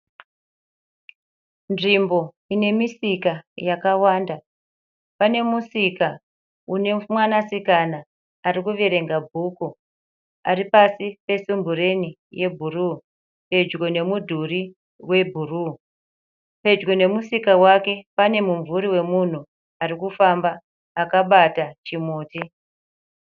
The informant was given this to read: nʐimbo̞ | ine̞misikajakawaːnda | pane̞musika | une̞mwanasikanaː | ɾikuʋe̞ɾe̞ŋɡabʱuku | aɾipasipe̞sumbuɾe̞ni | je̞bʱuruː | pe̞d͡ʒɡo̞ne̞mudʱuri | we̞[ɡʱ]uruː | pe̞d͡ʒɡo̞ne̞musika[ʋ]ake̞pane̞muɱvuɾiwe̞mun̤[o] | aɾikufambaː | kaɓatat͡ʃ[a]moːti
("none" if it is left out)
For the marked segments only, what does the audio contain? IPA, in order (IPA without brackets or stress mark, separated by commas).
bʱ, w, u, i